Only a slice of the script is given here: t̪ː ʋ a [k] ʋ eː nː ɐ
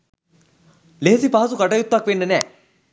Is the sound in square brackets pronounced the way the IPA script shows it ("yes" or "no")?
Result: yes